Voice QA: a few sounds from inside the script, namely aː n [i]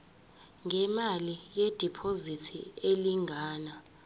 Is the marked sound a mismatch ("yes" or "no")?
yes